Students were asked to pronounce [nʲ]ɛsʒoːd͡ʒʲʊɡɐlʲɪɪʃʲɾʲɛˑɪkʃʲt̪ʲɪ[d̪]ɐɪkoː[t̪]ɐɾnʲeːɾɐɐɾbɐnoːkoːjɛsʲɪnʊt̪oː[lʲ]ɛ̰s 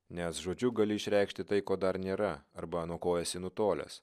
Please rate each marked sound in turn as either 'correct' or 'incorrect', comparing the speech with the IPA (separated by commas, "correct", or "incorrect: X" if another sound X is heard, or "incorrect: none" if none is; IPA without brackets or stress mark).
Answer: correct, incorrect: t̪, incorrect: d̪, correct